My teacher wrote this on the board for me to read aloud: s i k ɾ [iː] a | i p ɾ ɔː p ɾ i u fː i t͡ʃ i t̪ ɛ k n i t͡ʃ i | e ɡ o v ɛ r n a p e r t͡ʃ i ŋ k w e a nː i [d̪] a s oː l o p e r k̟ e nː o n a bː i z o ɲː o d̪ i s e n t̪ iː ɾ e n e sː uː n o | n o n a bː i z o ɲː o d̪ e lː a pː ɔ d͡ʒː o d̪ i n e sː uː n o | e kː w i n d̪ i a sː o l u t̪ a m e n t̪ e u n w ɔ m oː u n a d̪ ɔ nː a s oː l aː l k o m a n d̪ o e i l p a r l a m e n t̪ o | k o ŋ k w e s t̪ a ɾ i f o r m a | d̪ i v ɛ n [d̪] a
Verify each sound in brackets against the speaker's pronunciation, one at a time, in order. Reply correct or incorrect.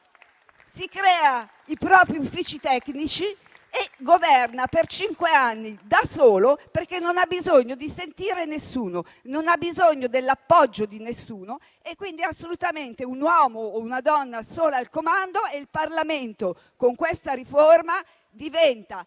incorrect: ɛː, correct, incorrect: t̪

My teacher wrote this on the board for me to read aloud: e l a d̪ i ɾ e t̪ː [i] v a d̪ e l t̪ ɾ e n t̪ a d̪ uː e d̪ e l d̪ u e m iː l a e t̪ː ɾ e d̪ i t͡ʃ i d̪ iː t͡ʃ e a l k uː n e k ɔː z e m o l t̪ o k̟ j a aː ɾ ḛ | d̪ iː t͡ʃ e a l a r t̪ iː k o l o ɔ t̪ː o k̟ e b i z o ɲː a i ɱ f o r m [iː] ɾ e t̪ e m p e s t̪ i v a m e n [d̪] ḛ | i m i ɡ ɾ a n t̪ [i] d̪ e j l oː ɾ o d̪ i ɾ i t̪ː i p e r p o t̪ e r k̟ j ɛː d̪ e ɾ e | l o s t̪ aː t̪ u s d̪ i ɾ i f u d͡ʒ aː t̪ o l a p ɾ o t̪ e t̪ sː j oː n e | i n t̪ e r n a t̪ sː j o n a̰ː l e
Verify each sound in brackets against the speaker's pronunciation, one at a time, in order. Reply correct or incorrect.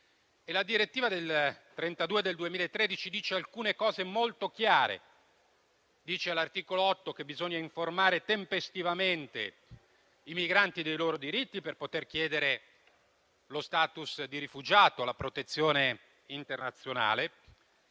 incorrect: iː, incorrect: aː, incorrect: t̪, correct

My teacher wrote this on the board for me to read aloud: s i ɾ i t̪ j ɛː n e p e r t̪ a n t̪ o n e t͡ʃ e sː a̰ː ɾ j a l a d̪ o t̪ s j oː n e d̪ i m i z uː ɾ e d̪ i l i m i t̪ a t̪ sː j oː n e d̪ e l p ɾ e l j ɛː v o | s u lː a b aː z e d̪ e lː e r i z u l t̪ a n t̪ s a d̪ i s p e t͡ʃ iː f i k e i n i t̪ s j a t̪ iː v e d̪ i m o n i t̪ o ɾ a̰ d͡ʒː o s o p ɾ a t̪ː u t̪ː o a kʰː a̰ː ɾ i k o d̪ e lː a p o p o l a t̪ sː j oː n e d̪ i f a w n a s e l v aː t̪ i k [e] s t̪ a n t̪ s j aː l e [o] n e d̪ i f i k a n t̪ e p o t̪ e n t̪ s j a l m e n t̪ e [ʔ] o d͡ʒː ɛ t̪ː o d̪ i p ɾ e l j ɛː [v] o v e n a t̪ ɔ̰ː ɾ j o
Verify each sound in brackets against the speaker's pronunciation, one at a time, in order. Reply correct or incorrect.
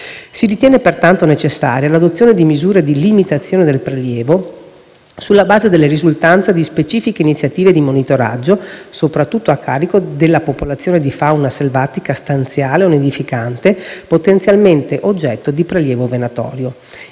incorrect: a, correct, correct, correct

